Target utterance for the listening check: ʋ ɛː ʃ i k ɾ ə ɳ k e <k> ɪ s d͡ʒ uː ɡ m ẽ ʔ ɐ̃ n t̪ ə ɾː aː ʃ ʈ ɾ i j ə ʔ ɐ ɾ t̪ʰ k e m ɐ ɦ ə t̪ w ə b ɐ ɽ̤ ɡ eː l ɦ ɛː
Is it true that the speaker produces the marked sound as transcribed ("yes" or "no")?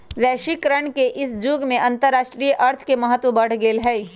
no